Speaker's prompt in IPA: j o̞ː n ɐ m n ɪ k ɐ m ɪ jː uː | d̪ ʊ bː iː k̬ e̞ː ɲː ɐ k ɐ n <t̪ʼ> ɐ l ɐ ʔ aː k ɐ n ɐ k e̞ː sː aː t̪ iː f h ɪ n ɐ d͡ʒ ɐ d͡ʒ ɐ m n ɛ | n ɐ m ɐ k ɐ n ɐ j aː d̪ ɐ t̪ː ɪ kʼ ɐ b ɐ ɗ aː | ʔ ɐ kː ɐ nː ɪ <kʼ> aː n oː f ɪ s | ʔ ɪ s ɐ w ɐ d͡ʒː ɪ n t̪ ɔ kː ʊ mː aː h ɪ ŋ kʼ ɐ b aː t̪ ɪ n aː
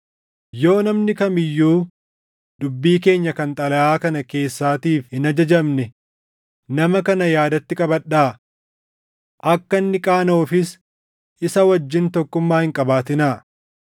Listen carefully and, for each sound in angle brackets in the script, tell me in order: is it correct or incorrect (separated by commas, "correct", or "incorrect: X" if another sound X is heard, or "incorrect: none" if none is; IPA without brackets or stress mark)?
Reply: correct, correct